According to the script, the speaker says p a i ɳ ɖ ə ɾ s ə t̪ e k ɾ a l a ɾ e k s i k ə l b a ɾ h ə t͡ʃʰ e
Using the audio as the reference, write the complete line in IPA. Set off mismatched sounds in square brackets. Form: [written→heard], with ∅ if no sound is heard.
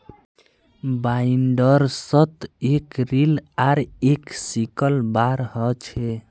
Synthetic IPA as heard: [p→b] a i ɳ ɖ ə ɾ s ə t̪ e k ɾ [a→i] l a ɾ e k s i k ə l b a ɾ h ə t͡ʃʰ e